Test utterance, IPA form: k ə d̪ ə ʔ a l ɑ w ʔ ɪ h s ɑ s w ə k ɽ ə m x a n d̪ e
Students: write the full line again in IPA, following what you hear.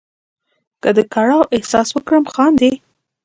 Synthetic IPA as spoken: k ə d̪ ə k a ɽ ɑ w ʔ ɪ h s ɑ s w ə k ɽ ə m x ɑ n d̪ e